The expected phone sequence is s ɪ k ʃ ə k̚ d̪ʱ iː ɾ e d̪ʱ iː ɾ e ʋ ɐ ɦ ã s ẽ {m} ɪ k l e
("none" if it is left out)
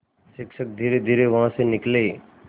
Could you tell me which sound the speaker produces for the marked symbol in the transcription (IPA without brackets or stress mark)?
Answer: n